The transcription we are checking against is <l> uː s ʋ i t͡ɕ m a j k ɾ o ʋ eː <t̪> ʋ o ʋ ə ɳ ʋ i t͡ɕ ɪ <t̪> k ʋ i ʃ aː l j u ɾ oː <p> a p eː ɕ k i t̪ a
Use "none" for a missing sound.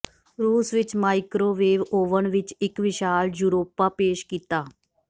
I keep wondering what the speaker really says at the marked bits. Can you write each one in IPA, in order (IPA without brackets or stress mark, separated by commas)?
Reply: ɾ, none, none, p